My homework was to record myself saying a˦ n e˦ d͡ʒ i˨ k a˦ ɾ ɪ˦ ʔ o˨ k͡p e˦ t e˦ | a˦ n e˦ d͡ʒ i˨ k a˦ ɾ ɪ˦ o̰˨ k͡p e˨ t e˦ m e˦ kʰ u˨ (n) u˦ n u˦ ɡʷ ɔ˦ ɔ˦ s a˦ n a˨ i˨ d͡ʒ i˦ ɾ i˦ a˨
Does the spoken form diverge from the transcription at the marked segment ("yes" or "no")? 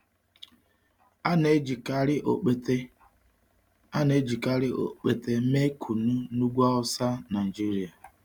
no